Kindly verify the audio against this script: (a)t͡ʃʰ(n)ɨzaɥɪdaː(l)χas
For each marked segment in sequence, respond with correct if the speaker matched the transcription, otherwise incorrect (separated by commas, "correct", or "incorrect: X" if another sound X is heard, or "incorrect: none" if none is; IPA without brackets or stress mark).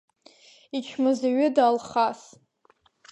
incorrect: i, incorrect: m, correct